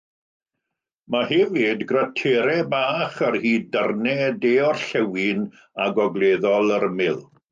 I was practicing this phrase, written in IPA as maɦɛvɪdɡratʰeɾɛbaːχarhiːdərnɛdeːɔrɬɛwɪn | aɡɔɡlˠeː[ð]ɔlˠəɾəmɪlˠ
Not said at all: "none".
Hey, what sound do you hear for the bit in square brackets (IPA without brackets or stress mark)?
ð